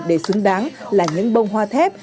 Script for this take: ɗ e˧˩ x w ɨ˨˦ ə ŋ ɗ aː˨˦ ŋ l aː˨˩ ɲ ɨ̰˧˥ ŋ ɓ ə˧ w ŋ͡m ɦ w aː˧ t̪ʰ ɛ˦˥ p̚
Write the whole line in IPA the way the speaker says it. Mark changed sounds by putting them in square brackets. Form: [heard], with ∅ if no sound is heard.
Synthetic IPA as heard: ɗ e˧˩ [s] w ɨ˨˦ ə ŋ ɗ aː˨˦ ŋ l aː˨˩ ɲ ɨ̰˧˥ ŋ ɓ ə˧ w ŋ͡m ɦ w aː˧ t̪ʰ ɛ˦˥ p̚